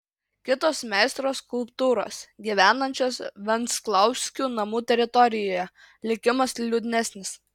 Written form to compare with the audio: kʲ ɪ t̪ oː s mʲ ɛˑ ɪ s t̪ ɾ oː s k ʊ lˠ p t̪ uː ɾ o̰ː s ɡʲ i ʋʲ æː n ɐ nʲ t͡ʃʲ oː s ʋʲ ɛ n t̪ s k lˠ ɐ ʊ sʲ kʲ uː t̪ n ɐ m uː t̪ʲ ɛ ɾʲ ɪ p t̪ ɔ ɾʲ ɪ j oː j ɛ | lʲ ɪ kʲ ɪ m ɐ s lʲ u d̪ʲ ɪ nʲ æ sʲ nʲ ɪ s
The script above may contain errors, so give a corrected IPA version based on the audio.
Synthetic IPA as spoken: kʲ ɪ t̪ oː s mʲ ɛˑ ɪ s t̪ ɾ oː s k ʊ lˠ p t̪ uː ɾ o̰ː s ɡʲ i ʋʲ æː n ɐ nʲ t͡ʃʲ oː s ʋʲ ɛ n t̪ s k lˠ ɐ ʊ sʲ kʲ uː n ɐ m uː t̪ʲ ɛ ɾʲ ɪ t̪ ɔ ɾʲ ɪ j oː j ɛ | lʲ ɪ kʲ ɪ m ɐ s lʲ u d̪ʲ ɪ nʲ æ sʲ nʲ ɪ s